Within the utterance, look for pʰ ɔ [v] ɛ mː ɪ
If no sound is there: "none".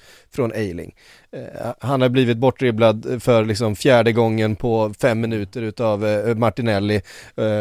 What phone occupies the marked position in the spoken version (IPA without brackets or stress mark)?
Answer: f